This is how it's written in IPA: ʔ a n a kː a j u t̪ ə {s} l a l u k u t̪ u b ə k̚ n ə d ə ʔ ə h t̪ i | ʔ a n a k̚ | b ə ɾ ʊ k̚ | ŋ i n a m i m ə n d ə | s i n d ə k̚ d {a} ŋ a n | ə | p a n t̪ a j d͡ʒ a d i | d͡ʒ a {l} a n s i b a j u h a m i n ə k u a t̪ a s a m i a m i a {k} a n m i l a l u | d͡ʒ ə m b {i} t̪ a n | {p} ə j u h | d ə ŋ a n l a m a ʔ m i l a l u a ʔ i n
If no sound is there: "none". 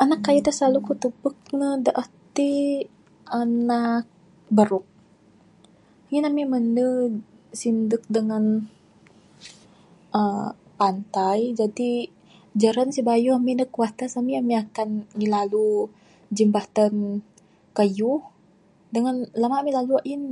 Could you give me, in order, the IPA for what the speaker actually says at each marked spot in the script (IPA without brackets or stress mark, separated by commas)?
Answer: s, ə, ɾ, k, a, k